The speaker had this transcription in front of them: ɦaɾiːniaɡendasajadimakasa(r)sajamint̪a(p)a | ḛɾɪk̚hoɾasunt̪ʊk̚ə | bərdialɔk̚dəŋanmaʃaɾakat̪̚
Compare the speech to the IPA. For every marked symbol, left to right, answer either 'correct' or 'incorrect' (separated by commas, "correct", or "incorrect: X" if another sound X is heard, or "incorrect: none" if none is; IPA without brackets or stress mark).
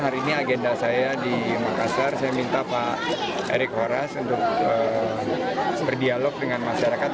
correct, correct